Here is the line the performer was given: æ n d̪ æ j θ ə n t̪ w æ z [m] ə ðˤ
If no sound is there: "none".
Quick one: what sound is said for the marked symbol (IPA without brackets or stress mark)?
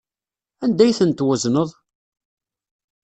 n